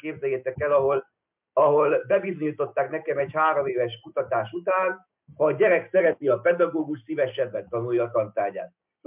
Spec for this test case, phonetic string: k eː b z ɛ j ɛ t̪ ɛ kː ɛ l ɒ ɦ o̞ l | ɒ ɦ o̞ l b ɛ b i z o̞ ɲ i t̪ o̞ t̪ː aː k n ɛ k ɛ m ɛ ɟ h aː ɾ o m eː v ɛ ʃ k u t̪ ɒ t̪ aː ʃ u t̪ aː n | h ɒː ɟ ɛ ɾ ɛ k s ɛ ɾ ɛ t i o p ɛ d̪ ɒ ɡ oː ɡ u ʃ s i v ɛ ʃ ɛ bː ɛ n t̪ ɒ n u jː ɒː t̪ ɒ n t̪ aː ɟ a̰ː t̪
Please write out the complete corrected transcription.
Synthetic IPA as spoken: k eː b z ɛ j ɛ t̪ ɛ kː ɛ l ɒ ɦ o̞ l | ɒ ɦ o̞ l b ɛ b i z o̞ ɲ i t̪ o̞ t̪ː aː k n ɛ k ɛ m ɛ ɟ h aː ɾ o m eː v ɛ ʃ k u t̪ ɒ t̪ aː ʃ u t̪ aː n | h ɒː ɟ ɛ ɾ ɛ k s ɛ ɾ ɛ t i ɒ p ɛ d̪ ɒ ɡ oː ɡ u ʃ s i v ɛ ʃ ɛ bː ɛ n t̪ ɒ n u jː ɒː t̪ ɒ n t̪ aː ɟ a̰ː t̪